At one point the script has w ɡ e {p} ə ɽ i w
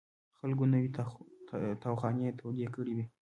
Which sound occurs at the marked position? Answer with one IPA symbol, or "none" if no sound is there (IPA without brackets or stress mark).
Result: k